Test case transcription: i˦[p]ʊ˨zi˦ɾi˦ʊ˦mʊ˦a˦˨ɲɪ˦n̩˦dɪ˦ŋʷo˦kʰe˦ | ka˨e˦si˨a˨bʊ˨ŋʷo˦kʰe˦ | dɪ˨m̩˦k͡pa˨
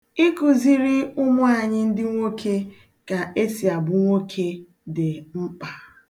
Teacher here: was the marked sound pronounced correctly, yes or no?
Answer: no